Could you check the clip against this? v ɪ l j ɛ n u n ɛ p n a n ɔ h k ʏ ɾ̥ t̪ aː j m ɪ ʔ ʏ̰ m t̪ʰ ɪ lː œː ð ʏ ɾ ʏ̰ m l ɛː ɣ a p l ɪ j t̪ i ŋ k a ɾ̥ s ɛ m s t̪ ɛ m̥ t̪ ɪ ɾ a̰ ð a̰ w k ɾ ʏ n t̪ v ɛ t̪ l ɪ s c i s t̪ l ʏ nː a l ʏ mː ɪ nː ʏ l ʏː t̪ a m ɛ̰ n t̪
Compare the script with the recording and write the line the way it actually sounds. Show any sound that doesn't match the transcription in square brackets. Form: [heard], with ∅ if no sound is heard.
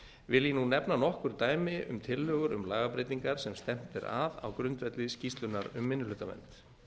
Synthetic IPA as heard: v ɪ l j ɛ n u n ɛ p n a n ɔ h k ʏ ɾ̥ t̪ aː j m ɪ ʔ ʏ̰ m t̪ʰ ɪ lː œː [ɣ] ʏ ɾ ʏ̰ m l [aː] ɣ a p [ɾ] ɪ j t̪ i ŋ k a ɾ̥ s ɛ m s t̪ ɛ m̥ t̪ ɪ ɾ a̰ ð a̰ w k ɾ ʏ n t̪ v ɛ t̪ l ɪ s c i s t̪ l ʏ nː a [ɾ] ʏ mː ɪ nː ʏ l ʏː t̪ a m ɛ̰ n t̪

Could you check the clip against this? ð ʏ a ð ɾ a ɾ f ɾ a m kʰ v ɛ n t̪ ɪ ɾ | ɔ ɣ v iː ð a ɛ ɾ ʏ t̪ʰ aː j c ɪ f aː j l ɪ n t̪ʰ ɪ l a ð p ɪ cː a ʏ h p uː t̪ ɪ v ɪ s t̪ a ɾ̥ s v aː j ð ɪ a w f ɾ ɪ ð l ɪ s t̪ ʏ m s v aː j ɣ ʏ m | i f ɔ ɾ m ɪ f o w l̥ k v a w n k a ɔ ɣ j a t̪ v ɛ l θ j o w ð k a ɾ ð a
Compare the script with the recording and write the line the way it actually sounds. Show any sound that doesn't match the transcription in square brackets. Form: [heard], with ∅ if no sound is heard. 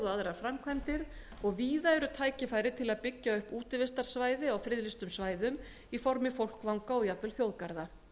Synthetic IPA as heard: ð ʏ a ð ɾ a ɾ f ɾ a m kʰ v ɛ n t̪ ɪ ɾ | ɔ ɣ v iː ð a ɛ ɾ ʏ t̪ʰ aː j c ɪ f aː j [ɾ] ɪ [∅] t̪ʰ ɪ l a ð p ɪ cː a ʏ h p uː t̪ ɪ v ɪ s t̪ a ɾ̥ s v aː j ð ɪ a w f ɾ ɪ ð l ɪ s t̪ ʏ m s v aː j [ð] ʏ m | i f ɔ ɾ m ɪ f o w l̥ k v a w [ŋ] k a ɔ ɣ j a t̪ v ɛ l θ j o w ð k a ɾ ð a

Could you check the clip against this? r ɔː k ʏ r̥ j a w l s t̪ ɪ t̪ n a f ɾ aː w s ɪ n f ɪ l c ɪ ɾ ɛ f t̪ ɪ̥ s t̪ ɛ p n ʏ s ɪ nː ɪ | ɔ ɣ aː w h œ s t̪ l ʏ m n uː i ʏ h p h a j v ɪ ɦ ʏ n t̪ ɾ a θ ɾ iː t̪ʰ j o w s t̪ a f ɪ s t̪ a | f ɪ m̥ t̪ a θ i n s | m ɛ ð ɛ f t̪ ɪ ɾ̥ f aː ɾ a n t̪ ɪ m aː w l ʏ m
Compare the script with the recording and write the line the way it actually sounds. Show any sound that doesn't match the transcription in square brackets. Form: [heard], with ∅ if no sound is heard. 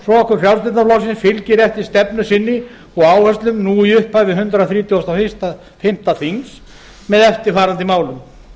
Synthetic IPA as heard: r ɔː k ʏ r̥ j a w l s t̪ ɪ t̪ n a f [l] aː w s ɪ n f ɪ l c ɪ ɾ ɛ f t̪ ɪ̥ s t̪ ɛ p n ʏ s ɪ nː ɪ | ɔ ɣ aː w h œ s t̪ l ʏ m n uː i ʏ h p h a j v ɪ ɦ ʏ n t̪ ɾ a θ ɾ iː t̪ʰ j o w s t̪ a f ɪ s t̪ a | f ɪ m̥ t̪ a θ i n s | m ɛ ð ɛ f t̪ ɪ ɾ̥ f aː ɾ a n t̪ ɪ m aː w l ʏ m

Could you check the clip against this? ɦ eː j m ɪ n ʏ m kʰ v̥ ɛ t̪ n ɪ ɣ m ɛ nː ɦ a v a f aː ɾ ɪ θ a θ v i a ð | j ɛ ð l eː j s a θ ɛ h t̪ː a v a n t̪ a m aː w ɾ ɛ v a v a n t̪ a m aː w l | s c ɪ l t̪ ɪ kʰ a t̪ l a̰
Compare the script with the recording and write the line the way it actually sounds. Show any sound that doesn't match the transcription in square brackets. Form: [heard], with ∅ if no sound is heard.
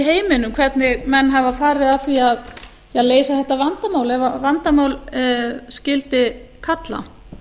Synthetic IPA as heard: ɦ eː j m ɪ n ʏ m kʰ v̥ ɛ t̪ n ɪ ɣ m ɛ nː ɦ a v a f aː ɾ ɪ [ð] a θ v i a ð | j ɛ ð l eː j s a θ ɛ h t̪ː a v a n t̪ a m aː w [l] ɛ v a v a n t̪ a m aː w l | s c ɪ l t̪ ɪ kʰ a t̪ l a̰

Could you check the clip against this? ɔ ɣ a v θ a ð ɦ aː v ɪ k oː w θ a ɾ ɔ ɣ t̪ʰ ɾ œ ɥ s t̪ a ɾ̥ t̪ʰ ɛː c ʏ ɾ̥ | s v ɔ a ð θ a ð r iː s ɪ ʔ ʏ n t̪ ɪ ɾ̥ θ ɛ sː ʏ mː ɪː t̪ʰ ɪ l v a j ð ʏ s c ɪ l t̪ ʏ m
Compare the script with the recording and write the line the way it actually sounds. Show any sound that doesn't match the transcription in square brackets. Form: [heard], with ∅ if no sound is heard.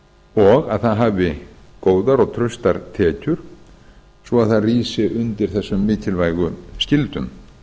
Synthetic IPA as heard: ɔ ɣ a [ð] θ a ð ɦ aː v ɪ k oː w [ð] a ɾ ɔ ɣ t̪ʰ ɾ œ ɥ s t̪ a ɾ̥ t̪ʰ ɛː c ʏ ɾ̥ | s v ɔ a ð θ a ð r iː s ɪ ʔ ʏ n t̪ ɪ ɾ̥ θ ɛ sː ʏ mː ɪː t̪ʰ ɪ l v a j [ɣ] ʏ s c ɪ l t̪ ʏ m

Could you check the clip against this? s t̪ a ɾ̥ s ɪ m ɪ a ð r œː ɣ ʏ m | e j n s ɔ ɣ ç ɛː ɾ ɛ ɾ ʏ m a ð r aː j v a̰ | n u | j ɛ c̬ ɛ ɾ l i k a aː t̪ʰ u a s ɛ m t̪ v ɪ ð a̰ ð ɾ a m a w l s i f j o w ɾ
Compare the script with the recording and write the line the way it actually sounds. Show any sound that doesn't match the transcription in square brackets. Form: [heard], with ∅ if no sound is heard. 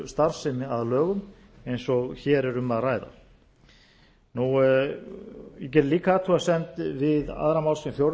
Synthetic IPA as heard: s t̪ a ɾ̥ s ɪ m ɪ a ð [l] œː ɣ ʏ m | e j n s ɔ ɣ ç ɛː ɾ ɛ ɾ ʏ m a ð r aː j [ð] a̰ | n u | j ɛ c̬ ɛ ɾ l [iː] k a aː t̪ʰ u a s ɛ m t̪ v ɪ ð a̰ ð ɾ a m a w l s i f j o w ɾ

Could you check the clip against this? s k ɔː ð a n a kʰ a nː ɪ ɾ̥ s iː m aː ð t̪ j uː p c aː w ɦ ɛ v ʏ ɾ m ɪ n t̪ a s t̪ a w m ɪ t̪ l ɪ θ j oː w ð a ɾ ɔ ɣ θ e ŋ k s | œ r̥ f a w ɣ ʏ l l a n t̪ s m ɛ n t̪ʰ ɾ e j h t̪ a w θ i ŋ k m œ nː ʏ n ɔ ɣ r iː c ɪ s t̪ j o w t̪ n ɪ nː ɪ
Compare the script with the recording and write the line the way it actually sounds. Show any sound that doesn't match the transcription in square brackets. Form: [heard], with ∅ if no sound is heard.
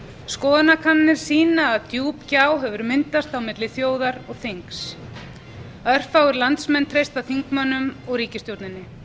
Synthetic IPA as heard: s k ɔː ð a n a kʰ a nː ɪ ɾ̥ s iː [n] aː ð t̪ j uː p c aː w ɦ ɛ v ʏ ɾ m ɪ n t̪ a s t̪ a w m ɪ t̪ l ɪ θ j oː w ð a ɾ ɔ ɣ θ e ŋ k s | œ r̥ f a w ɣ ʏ [ɾ] l a n t̪ s m ɛ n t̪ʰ ɾ e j [s] t̪ a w θ i ŋ k m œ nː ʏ [m] ɔ ɣ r iː c ɪ s t̪ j o w t̪ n ɪ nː ɪ

